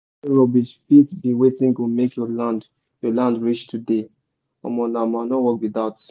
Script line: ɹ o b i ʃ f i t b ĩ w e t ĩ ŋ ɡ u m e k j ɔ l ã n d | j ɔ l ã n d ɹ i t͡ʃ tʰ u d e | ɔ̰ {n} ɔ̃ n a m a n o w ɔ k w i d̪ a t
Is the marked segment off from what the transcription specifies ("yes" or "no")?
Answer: yes